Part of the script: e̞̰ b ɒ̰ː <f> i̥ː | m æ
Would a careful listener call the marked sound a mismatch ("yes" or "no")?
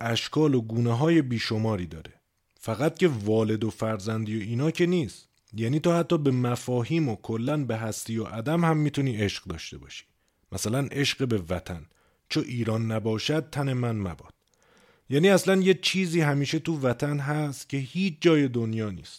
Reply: yes